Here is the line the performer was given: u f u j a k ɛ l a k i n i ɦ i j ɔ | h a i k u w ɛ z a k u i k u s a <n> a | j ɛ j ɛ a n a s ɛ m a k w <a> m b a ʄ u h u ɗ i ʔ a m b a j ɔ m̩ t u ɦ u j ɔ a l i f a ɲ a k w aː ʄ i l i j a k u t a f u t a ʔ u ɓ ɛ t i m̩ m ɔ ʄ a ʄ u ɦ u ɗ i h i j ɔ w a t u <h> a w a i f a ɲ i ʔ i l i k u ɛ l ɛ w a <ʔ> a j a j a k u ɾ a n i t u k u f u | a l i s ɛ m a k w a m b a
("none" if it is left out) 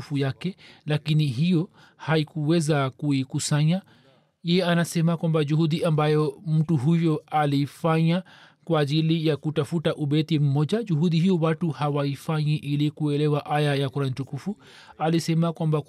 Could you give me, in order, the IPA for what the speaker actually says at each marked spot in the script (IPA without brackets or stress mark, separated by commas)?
ɲ, a, h, ʔ